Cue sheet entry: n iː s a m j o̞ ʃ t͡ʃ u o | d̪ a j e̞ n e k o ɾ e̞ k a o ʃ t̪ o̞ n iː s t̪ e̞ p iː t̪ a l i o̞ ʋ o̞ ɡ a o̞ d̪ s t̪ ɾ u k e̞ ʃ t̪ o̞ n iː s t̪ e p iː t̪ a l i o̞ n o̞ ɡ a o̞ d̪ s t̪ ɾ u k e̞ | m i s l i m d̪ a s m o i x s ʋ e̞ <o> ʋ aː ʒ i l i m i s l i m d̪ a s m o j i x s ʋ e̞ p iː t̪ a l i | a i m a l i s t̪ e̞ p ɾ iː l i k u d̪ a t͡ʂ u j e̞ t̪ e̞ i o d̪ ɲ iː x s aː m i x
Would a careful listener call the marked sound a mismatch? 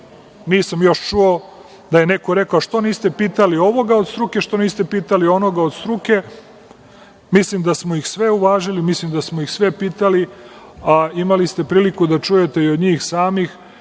yes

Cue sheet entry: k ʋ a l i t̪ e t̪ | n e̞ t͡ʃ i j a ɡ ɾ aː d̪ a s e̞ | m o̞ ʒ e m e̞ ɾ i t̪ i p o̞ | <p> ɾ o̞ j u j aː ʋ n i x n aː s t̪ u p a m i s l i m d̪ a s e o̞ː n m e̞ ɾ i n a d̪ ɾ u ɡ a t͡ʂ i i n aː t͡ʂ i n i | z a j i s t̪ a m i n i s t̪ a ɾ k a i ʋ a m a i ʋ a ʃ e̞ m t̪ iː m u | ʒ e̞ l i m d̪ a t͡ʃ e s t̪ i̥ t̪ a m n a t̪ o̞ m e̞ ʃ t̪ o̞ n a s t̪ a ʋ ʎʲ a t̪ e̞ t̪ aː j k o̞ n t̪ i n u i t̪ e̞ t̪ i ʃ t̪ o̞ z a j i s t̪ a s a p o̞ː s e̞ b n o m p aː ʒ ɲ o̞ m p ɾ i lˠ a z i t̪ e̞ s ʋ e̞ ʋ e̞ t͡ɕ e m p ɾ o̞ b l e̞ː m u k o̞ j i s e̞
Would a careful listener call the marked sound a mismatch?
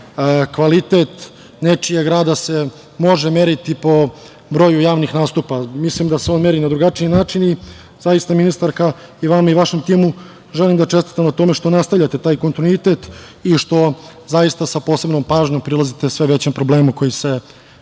yes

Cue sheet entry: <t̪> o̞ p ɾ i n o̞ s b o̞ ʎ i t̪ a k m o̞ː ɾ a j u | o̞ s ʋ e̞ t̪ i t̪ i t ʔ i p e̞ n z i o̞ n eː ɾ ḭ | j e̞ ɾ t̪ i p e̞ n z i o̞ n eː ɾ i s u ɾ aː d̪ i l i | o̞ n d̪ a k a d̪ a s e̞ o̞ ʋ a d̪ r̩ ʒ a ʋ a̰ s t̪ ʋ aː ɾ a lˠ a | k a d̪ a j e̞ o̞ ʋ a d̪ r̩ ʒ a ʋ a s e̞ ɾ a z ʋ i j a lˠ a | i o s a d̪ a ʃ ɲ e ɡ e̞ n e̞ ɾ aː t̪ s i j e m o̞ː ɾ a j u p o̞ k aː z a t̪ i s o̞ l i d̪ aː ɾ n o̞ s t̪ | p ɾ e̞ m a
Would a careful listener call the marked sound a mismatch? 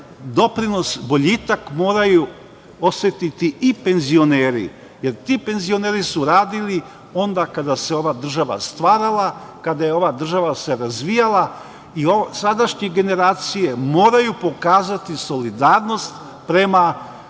yes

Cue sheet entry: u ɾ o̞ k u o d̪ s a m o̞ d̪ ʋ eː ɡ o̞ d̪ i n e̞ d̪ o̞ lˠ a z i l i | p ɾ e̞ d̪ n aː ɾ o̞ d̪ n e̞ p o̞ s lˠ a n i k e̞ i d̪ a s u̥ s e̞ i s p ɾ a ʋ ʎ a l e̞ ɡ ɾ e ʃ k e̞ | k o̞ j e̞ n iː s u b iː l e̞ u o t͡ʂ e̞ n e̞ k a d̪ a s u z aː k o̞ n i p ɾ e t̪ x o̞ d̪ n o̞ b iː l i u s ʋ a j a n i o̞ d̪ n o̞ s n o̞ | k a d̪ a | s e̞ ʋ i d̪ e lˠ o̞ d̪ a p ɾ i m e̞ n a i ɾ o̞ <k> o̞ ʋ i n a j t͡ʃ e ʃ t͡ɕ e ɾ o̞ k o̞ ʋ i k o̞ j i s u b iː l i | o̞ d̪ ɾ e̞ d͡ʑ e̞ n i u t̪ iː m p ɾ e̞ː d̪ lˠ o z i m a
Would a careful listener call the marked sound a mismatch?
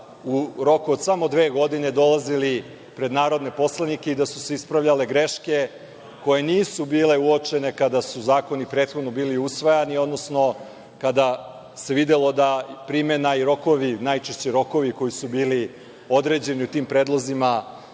no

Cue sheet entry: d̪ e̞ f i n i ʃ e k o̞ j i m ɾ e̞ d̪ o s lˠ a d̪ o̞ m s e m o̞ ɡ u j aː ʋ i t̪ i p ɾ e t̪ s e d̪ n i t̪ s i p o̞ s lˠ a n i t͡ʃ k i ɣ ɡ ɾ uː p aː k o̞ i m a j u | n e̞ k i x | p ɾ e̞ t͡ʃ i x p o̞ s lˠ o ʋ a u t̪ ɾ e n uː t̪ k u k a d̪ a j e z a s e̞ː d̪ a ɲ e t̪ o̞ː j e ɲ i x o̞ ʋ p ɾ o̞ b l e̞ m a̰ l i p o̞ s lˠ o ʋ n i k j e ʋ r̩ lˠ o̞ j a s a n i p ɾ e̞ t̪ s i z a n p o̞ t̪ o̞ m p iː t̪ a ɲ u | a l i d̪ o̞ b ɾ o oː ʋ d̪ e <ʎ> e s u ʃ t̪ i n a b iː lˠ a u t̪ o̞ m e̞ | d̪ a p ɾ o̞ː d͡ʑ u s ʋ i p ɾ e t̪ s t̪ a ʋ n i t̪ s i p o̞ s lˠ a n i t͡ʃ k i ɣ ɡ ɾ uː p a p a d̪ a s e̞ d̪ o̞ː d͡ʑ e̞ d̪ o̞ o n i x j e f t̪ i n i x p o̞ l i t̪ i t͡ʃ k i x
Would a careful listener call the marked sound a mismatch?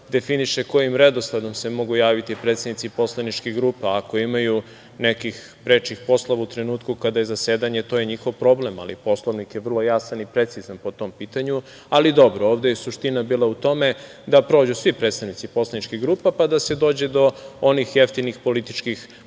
yes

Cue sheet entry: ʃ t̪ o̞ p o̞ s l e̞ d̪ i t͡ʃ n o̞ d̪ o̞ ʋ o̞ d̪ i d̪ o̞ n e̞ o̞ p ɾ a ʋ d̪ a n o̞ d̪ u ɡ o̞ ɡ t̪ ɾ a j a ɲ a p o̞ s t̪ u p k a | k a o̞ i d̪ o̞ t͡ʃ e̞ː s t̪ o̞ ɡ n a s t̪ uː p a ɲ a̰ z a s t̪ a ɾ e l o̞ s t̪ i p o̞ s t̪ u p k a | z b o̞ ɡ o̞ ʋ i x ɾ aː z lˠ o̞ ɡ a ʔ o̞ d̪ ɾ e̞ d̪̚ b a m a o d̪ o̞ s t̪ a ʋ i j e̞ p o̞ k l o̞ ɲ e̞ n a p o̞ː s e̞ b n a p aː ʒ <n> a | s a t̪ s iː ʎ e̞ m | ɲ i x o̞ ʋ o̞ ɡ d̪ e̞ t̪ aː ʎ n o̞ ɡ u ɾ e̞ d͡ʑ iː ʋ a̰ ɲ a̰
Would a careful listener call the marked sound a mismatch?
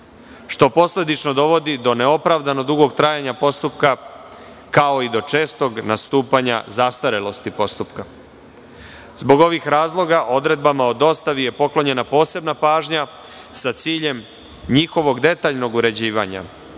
yes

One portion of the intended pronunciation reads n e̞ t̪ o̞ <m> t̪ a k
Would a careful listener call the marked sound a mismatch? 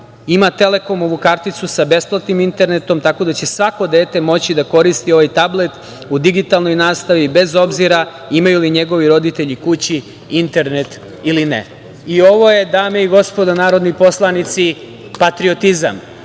no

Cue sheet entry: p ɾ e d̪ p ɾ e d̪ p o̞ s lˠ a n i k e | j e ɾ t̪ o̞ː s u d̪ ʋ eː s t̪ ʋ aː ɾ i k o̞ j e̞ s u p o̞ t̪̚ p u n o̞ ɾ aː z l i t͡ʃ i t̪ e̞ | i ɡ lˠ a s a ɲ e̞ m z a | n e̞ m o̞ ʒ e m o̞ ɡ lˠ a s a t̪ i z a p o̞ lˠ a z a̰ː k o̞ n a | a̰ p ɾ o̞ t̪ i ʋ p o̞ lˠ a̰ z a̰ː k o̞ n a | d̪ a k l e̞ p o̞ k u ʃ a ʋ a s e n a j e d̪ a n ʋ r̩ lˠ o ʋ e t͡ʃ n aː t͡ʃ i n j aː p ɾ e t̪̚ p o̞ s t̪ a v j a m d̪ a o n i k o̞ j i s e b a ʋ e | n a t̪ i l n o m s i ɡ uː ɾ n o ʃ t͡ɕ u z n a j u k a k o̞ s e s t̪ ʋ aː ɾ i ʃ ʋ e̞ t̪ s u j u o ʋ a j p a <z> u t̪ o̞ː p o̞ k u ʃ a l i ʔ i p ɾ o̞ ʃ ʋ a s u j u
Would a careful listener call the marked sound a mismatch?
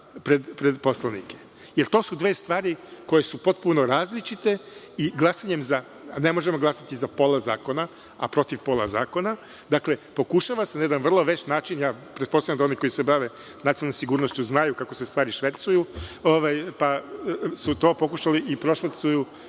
yes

